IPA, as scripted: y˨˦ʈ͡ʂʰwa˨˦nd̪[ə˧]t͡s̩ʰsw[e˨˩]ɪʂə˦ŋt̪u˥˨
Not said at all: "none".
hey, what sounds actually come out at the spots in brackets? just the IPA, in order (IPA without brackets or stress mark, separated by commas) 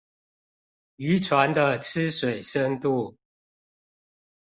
ə˧, e˨˩